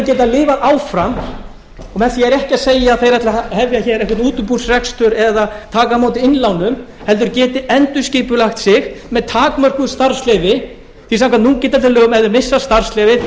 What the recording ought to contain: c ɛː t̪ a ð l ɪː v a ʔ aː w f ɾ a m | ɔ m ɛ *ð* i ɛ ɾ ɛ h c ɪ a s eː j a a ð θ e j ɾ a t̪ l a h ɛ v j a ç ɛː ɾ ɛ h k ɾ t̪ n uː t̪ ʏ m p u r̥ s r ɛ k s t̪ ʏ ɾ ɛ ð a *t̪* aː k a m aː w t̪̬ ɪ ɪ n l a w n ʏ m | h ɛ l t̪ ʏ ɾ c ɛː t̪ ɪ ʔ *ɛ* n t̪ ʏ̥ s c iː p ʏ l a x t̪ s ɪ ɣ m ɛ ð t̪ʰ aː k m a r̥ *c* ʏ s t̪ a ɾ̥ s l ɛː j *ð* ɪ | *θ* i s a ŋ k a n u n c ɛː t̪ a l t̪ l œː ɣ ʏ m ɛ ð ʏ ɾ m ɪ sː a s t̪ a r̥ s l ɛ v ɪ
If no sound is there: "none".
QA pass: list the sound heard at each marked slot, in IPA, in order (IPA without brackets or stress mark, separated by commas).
θ, t̪ʰ, ɛ, k, v, θ